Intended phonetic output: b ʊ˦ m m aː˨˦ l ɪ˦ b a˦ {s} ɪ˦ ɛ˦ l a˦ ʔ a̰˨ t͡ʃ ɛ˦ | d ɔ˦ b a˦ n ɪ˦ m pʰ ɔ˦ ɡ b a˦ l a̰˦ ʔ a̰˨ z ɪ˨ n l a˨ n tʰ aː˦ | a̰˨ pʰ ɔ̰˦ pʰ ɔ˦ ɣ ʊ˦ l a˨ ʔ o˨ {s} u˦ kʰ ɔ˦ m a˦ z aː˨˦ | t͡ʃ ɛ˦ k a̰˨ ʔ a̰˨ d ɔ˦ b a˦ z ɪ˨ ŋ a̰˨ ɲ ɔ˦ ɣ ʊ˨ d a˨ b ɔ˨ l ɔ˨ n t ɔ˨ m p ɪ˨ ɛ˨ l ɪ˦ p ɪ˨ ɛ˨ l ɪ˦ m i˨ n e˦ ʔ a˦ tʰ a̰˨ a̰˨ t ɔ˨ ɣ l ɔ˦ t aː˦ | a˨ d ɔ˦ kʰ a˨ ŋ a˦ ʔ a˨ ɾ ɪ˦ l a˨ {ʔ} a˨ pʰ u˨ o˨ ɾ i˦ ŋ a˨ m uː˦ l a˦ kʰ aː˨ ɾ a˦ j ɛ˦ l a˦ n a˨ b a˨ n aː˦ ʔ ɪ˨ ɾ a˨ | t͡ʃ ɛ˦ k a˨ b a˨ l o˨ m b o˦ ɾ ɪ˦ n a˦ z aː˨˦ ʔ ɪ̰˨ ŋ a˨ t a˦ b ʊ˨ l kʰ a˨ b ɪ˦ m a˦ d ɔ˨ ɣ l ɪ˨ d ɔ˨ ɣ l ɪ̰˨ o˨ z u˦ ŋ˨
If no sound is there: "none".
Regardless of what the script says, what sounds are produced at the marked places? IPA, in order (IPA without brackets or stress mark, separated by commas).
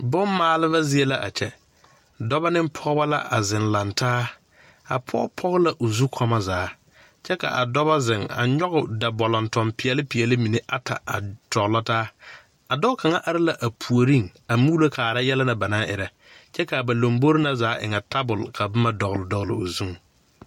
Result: z, z, ʔ